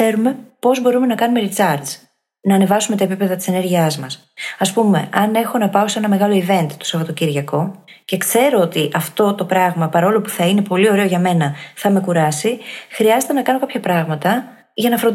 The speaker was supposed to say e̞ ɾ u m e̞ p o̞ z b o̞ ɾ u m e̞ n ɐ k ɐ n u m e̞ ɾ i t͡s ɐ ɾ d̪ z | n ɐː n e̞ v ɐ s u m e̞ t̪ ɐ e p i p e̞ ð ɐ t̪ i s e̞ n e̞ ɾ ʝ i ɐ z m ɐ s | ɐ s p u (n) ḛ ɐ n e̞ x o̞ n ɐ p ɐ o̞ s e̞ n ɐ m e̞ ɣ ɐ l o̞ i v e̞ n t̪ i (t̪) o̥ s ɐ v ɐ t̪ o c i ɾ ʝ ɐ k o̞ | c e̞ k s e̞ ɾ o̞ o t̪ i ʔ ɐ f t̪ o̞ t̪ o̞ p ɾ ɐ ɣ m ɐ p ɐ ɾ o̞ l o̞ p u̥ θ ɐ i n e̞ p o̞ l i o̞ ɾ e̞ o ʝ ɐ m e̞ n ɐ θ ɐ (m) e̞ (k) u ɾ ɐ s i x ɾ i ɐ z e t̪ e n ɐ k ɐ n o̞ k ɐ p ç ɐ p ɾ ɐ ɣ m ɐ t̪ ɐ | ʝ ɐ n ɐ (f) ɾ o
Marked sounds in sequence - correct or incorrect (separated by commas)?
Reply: incorrect, correct, correct, correct, correct